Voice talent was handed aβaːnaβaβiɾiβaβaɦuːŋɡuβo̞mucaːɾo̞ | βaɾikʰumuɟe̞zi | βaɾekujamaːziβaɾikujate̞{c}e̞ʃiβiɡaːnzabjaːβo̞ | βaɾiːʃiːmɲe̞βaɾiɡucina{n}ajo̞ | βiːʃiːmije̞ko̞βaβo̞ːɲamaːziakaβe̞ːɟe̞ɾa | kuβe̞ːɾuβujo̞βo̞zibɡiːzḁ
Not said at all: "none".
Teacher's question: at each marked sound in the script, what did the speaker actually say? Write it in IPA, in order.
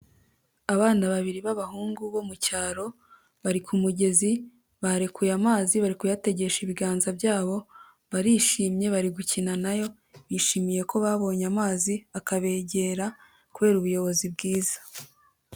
ɟ, n

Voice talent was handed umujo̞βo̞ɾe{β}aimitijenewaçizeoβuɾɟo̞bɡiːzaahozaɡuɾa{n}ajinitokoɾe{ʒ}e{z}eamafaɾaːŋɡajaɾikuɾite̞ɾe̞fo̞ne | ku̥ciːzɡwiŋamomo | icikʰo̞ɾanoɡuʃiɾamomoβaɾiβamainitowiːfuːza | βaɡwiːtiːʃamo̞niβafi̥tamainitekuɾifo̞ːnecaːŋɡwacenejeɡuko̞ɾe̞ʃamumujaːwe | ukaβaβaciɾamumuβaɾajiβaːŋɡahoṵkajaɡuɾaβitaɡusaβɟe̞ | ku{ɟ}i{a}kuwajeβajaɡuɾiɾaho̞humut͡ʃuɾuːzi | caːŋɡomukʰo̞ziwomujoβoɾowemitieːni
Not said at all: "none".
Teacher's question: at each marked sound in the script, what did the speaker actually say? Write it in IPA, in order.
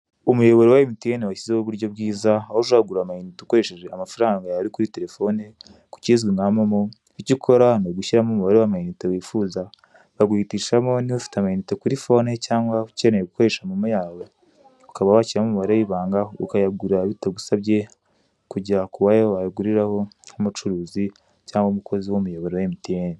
w, m, ʃ, ʒ, ɟ, a

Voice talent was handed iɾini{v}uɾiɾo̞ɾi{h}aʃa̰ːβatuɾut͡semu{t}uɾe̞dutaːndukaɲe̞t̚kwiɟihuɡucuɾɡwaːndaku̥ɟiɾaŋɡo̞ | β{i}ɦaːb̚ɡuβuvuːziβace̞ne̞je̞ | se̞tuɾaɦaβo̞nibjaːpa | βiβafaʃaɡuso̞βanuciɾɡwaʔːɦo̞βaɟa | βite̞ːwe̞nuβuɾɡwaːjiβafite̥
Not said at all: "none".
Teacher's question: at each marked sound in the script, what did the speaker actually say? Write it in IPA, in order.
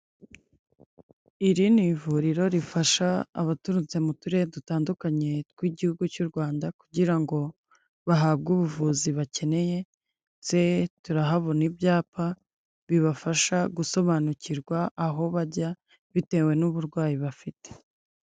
v, f, t, a

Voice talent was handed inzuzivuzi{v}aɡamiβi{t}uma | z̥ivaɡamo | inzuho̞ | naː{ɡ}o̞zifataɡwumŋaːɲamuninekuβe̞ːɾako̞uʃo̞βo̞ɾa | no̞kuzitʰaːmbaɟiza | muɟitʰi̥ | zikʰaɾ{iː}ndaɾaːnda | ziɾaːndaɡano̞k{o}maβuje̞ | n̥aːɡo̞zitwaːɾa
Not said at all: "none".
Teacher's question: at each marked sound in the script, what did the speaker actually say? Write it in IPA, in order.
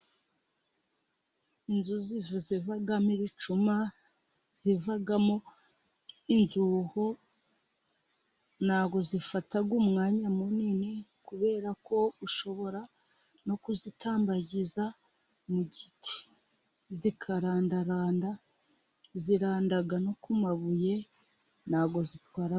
v, t͡ʃ, ɡ, aː, u

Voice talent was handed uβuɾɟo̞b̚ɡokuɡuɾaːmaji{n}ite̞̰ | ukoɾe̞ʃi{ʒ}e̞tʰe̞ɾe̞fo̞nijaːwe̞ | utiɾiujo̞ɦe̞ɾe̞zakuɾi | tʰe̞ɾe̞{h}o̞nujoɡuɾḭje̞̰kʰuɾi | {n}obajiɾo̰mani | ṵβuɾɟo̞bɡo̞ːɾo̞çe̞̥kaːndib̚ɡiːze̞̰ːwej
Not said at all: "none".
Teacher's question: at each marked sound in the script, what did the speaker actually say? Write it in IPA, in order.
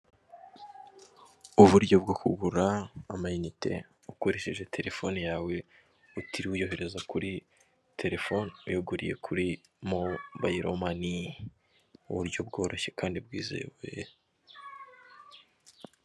n, ʒ, f, m

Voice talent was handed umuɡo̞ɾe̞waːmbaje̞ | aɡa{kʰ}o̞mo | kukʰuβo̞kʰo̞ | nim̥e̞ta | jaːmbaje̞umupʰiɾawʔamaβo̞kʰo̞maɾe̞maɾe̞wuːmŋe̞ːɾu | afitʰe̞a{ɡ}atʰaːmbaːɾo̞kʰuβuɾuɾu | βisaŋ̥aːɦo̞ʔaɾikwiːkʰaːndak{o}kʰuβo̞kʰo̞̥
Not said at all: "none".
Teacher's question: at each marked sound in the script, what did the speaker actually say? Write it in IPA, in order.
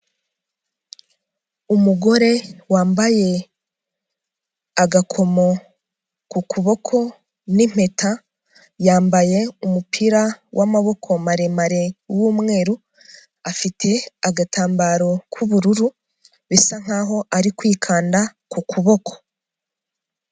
kʰ, ɡ, u

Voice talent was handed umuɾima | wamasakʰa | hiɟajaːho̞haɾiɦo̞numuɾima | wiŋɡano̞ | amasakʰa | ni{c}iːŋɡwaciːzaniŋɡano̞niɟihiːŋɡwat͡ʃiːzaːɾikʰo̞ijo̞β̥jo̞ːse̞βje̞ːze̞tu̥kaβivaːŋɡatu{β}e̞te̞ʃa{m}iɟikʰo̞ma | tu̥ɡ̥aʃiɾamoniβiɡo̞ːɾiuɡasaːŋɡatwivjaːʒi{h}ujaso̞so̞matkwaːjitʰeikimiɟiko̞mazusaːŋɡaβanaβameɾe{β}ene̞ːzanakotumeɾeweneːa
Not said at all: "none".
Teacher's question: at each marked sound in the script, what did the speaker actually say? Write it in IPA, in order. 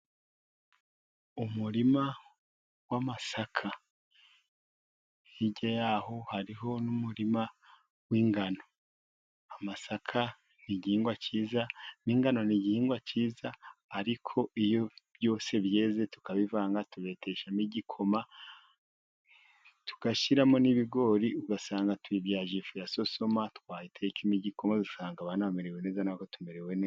ɟ, β, m, f, w

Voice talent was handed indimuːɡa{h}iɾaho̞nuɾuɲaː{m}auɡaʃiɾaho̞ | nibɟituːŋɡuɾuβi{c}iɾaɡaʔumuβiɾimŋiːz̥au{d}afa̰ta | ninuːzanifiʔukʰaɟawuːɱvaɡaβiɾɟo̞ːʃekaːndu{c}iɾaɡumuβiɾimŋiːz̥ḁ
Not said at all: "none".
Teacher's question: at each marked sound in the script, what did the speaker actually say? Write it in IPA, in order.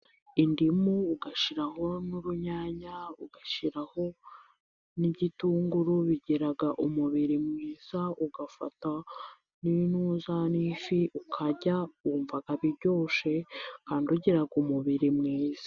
ʃ, ɲ, ɟ, ɡ, ɟ

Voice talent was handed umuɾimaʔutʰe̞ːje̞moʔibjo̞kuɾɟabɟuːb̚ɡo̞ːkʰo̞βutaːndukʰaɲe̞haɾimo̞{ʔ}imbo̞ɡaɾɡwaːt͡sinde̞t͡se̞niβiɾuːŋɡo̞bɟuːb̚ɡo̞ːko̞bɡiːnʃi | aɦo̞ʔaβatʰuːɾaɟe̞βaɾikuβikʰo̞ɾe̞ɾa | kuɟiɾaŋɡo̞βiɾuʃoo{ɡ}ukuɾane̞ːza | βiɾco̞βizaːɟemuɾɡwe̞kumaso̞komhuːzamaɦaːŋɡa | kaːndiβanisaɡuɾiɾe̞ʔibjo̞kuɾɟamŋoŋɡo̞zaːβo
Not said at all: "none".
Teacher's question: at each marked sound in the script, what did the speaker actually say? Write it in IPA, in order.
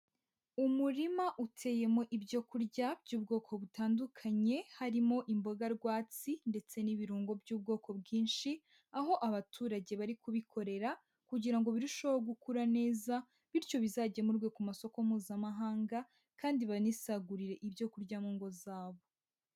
ʔ, ɡ

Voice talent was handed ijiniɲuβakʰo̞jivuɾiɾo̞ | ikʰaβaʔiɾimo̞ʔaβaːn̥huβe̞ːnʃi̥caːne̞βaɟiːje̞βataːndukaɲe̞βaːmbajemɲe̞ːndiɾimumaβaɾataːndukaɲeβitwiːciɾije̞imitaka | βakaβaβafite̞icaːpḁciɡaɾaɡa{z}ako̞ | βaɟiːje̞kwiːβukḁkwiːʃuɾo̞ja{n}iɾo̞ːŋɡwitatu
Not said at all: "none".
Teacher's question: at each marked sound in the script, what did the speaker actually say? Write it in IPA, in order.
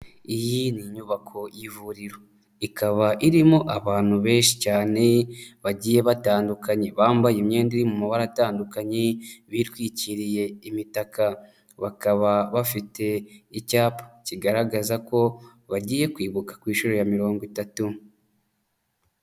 z, m

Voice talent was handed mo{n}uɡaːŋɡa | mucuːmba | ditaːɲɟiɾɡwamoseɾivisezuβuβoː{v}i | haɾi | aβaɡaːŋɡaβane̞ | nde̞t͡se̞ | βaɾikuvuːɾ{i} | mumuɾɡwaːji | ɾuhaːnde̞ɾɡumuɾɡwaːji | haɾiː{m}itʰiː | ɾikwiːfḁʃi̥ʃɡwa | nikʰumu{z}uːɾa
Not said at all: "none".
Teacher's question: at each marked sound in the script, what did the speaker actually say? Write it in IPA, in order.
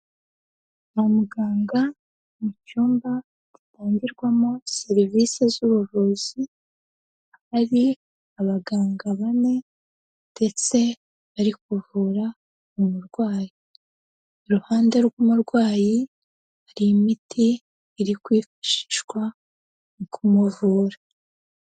m, z, a, m, v

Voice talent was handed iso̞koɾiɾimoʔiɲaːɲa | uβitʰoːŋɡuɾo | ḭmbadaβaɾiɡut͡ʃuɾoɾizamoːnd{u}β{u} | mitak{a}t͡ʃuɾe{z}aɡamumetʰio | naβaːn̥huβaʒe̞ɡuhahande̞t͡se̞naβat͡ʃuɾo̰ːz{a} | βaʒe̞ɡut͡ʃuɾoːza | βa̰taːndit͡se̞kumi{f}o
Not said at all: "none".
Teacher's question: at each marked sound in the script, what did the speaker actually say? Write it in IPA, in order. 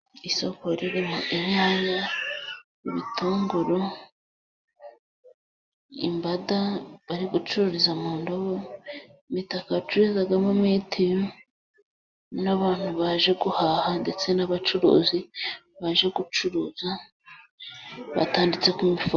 o, o, a, z, i, f

